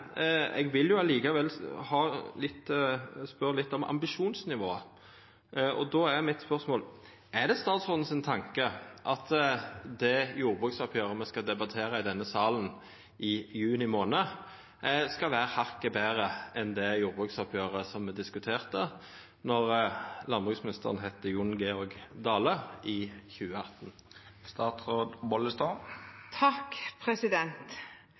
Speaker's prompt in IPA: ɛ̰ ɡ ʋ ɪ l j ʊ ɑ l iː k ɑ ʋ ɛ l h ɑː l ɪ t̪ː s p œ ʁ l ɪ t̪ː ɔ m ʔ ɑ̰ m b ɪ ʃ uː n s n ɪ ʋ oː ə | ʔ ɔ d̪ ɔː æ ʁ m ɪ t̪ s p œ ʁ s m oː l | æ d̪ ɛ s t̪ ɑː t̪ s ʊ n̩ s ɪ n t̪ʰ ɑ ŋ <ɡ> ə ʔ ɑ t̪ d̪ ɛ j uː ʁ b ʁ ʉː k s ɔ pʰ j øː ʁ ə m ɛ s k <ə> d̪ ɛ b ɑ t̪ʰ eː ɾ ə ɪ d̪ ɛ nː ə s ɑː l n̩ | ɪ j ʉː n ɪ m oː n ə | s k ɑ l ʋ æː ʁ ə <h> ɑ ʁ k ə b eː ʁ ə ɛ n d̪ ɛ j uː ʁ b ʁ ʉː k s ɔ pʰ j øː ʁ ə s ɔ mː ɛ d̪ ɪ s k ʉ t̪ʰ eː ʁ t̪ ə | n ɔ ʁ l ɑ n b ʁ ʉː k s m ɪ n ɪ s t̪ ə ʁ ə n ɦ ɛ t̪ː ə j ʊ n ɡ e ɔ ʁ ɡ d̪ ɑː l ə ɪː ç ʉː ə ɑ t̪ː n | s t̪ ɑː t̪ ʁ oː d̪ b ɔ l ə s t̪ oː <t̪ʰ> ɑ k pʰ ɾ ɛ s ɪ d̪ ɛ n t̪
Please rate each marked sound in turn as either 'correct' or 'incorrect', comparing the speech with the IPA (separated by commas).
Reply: incorrect, incorrect, correct, correct